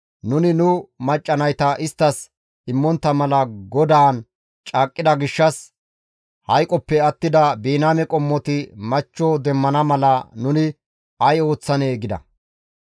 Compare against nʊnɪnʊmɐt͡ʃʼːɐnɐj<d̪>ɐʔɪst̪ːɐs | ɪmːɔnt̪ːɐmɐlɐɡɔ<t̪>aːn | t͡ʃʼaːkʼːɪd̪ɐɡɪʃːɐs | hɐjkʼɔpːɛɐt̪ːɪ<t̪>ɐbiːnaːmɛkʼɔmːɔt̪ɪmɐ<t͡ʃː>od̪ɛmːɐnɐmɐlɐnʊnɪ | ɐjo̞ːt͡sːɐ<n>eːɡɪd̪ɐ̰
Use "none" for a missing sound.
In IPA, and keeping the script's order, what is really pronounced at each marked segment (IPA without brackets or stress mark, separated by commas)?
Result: t̪, d̪, d̪, t͡ʃː, n